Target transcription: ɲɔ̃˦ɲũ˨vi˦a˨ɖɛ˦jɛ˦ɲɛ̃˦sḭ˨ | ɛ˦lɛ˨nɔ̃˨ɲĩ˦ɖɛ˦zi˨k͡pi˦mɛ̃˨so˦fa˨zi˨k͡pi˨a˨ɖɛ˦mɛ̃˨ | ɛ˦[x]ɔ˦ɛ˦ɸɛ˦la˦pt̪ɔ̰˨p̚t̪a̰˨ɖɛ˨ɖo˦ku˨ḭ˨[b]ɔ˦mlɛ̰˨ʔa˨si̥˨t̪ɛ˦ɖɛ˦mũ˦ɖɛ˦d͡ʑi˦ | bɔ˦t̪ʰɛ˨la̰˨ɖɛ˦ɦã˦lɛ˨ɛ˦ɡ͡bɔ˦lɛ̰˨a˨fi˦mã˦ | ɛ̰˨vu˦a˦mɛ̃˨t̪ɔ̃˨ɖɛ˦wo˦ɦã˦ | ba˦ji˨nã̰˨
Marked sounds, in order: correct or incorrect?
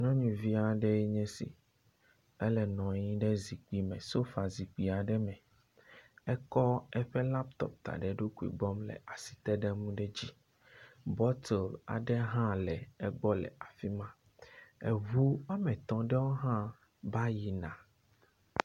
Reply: incorrect, incorrect

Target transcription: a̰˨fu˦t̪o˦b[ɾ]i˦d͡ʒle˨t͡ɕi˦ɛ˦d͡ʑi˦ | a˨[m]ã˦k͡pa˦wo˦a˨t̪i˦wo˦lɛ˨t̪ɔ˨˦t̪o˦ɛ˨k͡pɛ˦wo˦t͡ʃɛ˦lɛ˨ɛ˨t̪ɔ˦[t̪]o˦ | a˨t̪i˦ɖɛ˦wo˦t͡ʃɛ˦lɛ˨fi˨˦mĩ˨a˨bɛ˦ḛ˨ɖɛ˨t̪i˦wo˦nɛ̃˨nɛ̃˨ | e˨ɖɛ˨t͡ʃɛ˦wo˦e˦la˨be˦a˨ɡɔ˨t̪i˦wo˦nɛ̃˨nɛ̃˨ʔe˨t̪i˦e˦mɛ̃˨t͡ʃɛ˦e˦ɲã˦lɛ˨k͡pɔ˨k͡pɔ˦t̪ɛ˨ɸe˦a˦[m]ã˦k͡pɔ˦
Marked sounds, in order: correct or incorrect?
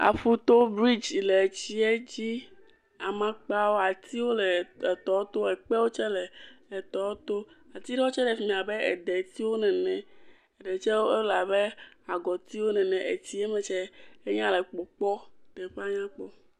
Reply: correct, correct, correct, incorrect

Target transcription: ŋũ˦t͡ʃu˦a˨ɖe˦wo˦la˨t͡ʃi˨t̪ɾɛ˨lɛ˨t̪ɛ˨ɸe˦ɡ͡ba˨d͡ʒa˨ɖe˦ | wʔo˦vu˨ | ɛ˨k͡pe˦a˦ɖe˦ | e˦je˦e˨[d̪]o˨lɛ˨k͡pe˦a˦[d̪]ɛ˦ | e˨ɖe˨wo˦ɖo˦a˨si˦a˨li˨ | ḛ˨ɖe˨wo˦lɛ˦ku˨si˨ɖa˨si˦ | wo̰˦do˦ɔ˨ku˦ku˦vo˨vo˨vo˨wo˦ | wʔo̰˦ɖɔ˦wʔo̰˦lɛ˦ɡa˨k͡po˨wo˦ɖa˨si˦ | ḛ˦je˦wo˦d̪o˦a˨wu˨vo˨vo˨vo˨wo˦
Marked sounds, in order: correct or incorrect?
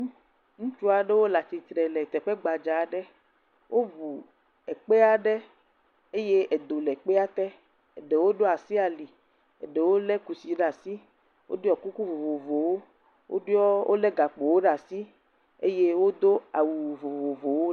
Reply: correct, incorrect

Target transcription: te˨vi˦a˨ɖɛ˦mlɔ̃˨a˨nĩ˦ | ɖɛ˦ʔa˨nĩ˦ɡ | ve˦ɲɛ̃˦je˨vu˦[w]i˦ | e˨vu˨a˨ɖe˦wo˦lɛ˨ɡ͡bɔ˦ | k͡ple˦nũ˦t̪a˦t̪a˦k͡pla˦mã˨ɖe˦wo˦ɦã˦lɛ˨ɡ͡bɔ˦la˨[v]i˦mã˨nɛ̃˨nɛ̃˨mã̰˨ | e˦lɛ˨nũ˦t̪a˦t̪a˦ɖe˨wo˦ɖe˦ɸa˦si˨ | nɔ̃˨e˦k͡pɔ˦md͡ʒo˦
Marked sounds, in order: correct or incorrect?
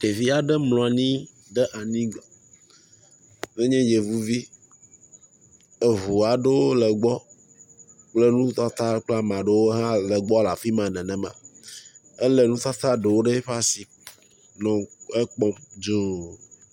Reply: incorrect, incorrect

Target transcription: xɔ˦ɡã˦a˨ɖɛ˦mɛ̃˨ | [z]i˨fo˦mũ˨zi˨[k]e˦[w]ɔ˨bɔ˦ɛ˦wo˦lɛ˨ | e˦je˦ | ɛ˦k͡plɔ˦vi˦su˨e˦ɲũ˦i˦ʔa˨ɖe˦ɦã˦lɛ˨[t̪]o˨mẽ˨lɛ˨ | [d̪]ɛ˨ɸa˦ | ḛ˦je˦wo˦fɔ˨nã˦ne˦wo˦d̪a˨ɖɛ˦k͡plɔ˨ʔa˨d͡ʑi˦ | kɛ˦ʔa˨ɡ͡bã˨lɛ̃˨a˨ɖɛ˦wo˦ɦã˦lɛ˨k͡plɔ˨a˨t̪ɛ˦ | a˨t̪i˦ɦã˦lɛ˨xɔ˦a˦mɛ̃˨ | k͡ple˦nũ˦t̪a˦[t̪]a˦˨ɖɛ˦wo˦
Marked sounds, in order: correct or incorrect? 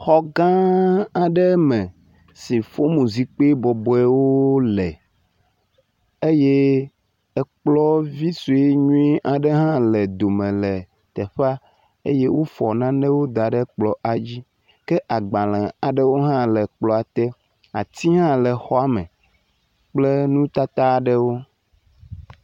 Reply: incorrect, incorrect, incorrect, incorrect, incorrect, correct

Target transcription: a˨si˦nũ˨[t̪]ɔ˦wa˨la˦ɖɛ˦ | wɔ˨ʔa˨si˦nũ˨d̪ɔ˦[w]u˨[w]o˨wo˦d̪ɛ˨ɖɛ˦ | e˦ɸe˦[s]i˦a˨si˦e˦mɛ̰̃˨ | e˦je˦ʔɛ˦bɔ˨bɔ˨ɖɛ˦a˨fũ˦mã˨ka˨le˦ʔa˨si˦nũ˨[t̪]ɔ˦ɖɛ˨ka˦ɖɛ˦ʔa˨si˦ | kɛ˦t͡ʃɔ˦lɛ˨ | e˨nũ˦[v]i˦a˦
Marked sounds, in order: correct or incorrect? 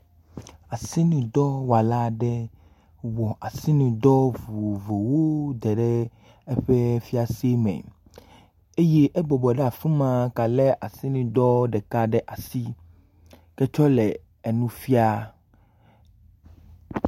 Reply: incorrect, incorrect, incorrect, incorrect, incorrect, incorrect

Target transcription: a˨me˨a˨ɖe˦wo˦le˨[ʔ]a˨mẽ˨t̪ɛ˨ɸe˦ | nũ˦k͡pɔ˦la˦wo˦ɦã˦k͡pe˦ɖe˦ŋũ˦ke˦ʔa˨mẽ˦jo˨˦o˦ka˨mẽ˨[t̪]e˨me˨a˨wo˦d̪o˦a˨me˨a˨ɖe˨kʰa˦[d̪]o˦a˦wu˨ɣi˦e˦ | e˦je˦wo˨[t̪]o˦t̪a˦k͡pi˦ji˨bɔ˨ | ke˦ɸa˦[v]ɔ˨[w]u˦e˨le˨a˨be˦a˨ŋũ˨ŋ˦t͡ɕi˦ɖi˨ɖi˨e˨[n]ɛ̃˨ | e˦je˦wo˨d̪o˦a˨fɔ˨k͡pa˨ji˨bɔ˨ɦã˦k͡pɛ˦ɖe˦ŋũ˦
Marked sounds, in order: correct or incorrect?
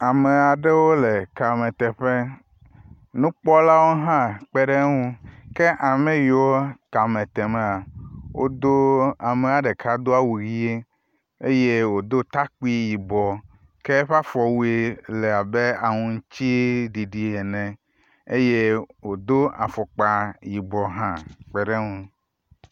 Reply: incorrect, correct, correct, incorrect, incorrect, correct, correct

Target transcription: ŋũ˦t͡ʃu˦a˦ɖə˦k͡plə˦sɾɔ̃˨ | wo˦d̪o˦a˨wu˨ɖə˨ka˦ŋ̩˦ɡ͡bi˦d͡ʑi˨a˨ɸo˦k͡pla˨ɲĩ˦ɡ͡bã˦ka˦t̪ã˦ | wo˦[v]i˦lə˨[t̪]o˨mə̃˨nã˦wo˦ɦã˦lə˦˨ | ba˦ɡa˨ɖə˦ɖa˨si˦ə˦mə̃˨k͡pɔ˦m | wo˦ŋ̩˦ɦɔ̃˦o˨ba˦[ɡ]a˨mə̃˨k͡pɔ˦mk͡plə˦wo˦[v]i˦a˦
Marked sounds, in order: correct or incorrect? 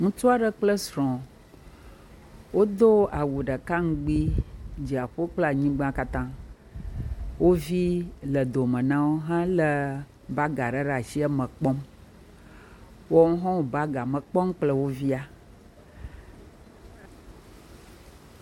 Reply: correct, incorrect, correct, correct

